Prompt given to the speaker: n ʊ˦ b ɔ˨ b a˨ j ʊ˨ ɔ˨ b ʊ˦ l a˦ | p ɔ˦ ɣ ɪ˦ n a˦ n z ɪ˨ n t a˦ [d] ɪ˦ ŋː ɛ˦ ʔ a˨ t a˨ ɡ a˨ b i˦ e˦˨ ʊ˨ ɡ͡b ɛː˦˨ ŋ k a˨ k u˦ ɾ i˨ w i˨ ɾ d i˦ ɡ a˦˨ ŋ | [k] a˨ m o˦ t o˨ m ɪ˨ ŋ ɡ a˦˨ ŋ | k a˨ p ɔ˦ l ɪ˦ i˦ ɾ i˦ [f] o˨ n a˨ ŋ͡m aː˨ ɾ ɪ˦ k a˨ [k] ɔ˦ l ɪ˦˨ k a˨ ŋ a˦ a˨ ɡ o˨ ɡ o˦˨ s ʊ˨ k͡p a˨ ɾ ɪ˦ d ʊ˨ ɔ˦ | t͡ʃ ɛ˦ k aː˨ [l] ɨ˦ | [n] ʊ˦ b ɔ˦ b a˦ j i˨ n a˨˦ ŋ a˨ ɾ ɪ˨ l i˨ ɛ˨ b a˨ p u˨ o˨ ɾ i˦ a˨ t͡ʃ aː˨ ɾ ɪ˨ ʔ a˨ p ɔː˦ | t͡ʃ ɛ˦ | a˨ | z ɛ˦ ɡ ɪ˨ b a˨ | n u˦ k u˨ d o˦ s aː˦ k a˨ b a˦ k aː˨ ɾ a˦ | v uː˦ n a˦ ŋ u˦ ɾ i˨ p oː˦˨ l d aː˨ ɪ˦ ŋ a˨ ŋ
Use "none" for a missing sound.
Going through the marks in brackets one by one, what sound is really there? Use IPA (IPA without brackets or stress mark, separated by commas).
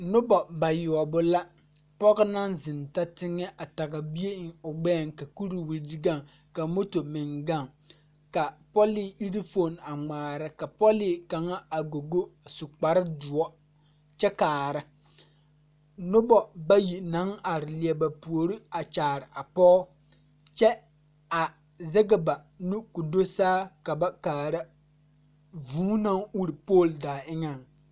t, k, f, p, ɾ, n